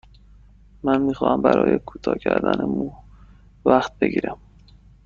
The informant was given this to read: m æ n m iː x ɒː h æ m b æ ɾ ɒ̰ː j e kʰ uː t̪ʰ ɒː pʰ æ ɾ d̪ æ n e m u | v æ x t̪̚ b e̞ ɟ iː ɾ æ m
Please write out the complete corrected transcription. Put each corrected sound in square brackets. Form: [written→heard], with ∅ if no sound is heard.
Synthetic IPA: m æ n m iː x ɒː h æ m b æ ɾ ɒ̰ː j e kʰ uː t̪ʰ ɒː [pʰ→cʰ] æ ɾ d̪ æ n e m u | v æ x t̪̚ b e̞ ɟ iː ɾ æ m

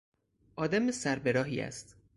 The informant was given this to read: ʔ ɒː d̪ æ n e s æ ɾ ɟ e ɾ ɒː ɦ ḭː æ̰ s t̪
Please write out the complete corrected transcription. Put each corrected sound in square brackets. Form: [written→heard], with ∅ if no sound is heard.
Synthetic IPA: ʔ ɒː d̪ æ [n→m] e s æ ɾ [ɟ→b] e ɾ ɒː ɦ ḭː æ̰ s t̪

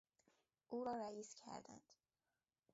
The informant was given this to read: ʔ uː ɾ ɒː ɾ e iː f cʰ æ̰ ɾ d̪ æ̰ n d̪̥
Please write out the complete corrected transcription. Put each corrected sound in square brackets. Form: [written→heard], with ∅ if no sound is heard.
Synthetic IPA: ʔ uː ɾ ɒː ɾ [e→æ] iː [f→s] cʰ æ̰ ɾ d̪ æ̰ n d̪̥

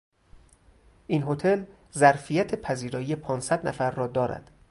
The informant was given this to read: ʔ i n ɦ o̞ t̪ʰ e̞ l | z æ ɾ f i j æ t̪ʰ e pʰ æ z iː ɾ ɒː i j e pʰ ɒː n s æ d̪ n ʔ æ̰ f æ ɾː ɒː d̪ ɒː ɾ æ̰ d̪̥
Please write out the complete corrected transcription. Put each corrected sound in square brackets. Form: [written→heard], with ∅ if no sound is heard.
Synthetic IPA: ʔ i n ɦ o̞ t̪ʰ e̞ l | z æ ɾ f i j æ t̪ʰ e pʰ æ z iː ɾ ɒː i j e pʰ ɒː n s æ d̪ n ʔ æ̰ f æ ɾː ɒː d̪ ɒː ɾ æ̰ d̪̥

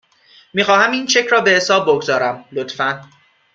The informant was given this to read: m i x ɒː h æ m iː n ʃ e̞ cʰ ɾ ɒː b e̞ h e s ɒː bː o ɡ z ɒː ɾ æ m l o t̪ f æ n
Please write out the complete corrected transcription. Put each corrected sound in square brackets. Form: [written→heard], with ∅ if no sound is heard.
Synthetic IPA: m [i→iː] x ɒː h æ m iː n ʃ e̞ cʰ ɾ ɒː b e̞ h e s ɒː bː o ɡ z ɒː ɾ æ m l o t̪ f æ n

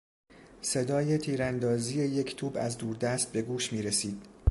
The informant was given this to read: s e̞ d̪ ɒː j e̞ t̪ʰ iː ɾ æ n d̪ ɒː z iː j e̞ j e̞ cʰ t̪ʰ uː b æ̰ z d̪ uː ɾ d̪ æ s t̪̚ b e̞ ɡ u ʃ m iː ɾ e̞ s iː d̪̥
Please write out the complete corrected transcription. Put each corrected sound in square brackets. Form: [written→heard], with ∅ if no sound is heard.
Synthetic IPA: s e̞ d̪ ɒː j e̞ t̪ʰ iː ɾ æ n d̪ ɒː z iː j e̞ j e̞ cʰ t̪ʰ uː b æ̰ z d̪ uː ɾ d̪ æ s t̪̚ b e̞ ɡ [u→uː] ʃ m iː ɾ e̞ s iː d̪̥

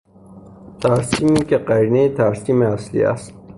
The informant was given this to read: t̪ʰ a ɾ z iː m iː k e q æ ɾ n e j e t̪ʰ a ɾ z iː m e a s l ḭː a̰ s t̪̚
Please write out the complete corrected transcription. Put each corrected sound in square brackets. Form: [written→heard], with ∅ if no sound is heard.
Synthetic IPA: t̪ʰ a ɾ [z→s] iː m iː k e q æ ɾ n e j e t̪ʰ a ɾ [z→s] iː m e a s l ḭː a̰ s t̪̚

